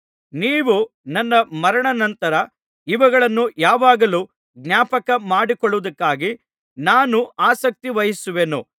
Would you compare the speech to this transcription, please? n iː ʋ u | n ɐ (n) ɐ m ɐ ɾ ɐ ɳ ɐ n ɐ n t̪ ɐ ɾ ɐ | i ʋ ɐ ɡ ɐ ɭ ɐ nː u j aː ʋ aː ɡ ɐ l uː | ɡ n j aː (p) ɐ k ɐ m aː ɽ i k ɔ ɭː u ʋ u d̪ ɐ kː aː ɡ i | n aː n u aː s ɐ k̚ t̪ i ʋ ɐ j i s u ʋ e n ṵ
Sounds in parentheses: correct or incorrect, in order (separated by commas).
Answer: incorrect, correct